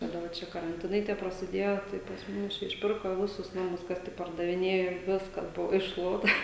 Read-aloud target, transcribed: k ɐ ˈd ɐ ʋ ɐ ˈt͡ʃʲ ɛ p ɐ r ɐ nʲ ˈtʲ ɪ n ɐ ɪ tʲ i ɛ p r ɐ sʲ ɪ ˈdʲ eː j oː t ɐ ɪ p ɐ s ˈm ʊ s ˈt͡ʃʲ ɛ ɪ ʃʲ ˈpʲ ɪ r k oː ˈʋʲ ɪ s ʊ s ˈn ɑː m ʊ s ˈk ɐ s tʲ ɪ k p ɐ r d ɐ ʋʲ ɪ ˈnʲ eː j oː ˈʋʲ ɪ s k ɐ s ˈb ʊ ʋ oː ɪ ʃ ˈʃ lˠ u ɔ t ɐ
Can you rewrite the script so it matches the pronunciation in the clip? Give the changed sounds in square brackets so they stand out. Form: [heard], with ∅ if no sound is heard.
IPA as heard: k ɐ ˈd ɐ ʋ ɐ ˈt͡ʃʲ ɛ [k] ɐ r ɐ nʲ ˈtʲ ɪ n ɐ ɪ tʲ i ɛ p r ɐ sʲ ɪ ˈdʲ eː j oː t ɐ ɪ p ɐ s ˈm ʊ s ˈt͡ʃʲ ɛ ɪ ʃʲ ˈpʲ ɪ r k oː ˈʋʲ ɪ s ʊ s ˈn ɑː m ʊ s ˈk ɐ s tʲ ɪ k p ɐ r d ɐ ʋʲ ɪ ˈnʲ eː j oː ˈʋʲ ɪ s k ɐ s ˈb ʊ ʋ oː ɪ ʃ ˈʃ lˠ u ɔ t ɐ